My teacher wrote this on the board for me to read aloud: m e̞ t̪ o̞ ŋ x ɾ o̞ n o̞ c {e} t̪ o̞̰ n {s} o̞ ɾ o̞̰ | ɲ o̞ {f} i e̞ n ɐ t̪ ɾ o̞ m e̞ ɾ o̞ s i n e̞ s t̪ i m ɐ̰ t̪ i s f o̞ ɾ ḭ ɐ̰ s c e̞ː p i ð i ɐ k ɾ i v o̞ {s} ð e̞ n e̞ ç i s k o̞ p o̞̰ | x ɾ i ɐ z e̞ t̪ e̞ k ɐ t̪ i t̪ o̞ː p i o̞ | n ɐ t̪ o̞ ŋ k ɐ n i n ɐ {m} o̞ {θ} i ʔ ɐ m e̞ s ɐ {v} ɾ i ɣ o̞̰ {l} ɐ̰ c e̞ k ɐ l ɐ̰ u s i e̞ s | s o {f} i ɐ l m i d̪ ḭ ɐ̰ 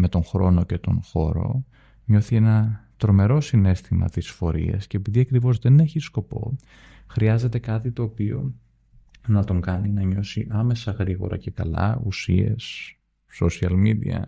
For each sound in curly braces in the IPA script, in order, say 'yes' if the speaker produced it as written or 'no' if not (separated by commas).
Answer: yes, no, no, no, no, no, no, no, no